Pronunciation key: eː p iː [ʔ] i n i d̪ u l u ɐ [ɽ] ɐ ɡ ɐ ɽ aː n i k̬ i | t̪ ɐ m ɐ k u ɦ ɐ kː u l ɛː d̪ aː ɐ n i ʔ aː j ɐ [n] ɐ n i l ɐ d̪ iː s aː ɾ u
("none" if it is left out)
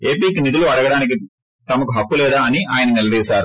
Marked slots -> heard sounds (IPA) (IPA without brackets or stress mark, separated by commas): k, ɽ, n